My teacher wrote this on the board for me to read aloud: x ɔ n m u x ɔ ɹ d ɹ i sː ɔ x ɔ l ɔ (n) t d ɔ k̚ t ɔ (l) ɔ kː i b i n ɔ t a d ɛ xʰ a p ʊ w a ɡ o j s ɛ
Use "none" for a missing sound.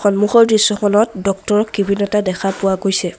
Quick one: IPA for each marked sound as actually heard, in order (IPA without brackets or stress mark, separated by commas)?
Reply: none, ɹ